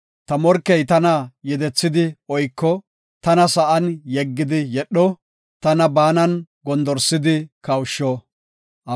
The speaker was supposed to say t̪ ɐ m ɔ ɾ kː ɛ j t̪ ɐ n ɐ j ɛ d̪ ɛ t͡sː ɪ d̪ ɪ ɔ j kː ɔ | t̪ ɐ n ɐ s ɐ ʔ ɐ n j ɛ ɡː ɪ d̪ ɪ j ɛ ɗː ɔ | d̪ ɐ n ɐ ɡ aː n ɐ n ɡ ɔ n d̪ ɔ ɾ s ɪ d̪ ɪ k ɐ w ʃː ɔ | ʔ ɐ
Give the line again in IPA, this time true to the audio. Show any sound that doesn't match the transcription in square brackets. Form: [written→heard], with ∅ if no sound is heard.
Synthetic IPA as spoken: t̪ ɐ m ɔ ɾ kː ɛ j t̪ ɐ n ɐ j ɛ d̪ ɛ t͡sː ɪ d̪ ɪ ɔ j kː ɔ | t̪ ɐ n ɐ s ɐ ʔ ɐ n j ɛ ɡː ɪ d̪ ɪ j ɛ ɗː ɔ | [d̪→t̪] ɐ n ɐ [ɡ→b] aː n ɐ n ɡ ɔ n d̪ ɔ ɾ s ɪ d̪ ɪ k ɐ w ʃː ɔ | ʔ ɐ